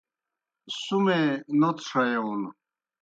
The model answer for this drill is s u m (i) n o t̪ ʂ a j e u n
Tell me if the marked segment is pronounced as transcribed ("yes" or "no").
no